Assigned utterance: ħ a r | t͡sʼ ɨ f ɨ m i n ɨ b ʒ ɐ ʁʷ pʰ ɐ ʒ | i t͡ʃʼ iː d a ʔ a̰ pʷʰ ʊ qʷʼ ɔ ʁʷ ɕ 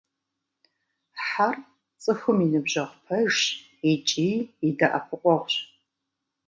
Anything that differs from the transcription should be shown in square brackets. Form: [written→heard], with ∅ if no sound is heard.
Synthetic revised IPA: ħ a r | t͡sʼ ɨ [f→x] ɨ m i n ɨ b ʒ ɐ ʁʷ pʰ ɐ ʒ | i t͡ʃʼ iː d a ʔ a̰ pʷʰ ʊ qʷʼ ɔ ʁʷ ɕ